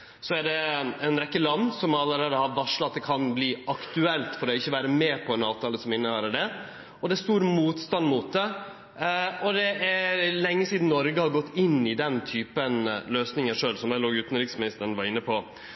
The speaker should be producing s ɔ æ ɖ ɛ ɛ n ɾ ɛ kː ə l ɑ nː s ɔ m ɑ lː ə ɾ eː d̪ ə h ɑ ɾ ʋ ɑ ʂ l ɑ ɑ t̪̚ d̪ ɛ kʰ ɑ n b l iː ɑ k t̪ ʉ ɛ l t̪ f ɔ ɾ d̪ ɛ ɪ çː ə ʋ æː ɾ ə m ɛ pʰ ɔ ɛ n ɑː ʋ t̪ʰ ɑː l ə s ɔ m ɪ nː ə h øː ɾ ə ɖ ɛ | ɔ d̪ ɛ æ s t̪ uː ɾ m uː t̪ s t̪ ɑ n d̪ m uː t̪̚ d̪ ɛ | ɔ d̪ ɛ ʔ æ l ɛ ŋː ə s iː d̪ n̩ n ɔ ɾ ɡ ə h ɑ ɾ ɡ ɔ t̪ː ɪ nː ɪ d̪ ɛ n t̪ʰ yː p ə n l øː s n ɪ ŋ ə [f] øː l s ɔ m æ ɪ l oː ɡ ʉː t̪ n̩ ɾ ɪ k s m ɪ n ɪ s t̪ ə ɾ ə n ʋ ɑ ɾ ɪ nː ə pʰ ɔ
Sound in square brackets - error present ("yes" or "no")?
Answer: yes